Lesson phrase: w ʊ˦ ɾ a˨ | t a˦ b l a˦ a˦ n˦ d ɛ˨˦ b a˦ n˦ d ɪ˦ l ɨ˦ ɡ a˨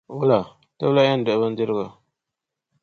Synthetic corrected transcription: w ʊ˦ l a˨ | t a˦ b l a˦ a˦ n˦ d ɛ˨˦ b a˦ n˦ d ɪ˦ ɾ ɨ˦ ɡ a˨